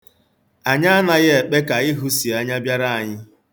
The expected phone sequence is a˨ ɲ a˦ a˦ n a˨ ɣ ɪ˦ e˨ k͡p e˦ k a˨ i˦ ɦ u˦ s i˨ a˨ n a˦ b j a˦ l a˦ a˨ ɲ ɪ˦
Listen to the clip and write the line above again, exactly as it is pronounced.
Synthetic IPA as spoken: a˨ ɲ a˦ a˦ n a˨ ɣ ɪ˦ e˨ k͡p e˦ k a˨ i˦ ɦ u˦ s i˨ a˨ ɲ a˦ b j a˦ ɾ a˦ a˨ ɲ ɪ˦